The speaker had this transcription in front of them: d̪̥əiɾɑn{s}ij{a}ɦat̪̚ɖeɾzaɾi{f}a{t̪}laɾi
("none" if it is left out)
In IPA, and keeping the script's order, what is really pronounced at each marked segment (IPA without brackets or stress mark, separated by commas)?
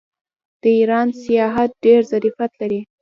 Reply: s, ɑ, f, t̪